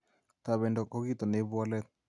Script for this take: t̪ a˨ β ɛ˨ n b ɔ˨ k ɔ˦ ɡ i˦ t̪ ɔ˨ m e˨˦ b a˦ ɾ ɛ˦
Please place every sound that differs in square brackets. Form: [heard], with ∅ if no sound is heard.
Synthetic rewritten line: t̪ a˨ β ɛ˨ n [d] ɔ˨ k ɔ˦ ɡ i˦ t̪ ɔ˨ [n] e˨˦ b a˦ [l] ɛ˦